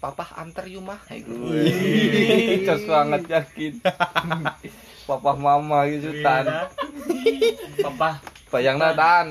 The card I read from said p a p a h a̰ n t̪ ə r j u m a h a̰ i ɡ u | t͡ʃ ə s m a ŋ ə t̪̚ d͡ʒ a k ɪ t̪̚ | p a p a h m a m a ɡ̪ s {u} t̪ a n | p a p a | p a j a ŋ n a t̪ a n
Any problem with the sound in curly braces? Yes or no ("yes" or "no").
no